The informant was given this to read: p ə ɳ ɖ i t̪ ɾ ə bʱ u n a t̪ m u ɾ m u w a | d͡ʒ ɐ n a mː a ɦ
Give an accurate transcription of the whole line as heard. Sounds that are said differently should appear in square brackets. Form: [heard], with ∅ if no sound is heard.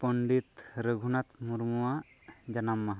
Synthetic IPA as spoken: p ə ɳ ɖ i t̪ ɾ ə [ɡʱ] u n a t̪ m u ɾ m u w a | d͡ʒ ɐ n a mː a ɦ